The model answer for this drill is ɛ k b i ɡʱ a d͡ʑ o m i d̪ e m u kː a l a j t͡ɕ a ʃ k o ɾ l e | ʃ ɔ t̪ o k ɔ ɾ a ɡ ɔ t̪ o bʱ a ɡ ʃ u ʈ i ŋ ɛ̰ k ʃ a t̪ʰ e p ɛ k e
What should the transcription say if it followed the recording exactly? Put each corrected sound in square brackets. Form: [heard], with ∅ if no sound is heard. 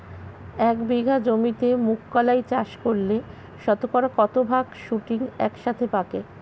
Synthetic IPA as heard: ɛ k b i ɡʱ a d͡ʑ o m i [t̪] e m u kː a l a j t͡ɕ a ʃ k o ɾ l e | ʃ ɔ t̪ o k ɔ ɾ a [k] ɔ t̪ o bʱ a ɡ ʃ u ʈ i ŋ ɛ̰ k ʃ a t̪ʰ e p [a] k e